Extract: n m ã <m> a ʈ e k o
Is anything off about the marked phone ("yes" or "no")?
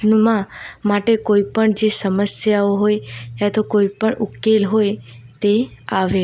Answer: no